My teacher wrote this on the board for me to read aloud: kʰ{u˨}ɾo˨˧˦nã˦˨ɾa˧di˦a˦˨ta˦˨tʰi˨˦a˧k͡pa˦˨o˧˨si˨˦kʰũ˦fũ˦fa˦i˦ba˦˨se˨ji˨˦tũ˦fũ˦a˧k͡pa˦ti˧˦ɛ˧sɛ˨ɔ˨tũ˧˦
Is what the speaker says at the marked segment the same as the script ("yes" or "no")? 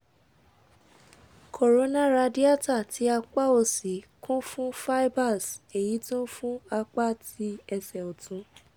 no